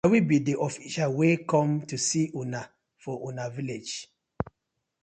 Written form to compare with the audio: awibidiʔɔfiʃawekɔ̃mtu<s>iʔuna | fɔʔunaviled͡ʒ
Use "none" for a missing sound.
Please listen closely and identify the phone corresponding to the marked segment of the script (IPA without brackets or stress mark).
s